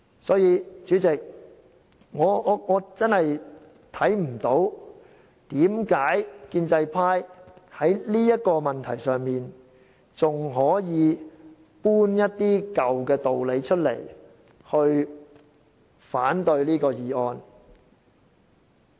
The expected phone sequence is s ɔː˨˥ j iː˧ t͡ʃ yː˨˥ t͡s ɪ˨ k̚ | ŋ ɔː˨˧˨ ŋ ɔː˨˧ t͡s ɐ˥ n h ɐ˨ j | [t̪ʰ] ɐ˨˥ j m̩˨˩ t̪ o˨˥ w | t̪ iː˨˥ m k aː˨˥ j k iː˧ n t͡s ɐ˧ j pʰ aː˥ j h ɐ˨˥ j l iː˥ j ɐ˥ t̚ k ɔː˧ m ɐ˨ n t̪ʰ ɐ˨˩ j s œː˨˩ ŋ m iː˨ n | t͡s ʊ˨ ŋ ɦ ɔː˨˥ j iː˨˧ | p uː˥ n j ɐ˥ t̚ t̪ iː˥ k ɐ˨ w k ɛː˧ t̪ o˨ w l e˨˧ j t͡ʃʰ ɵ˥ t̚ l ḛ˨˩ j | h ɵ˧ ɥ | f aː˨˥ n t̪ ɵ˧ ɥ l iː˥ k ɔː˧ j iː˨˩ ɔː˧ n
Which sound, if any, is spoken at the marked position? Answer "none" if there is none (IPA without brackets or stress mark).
t̪ʰ